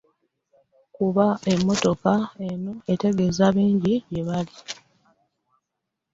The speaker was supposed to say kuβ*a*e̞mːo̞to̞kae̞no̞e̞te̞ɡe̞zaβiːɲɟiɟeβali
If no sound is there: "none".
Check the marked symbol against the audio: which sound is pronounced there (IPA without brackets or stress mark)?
a